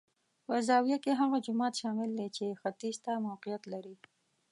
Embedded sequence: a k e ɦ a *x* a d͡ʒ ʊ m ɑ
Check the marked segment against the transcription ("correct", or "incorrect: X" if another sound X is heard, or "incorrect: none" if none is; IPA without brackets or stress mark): incorrect: ɣ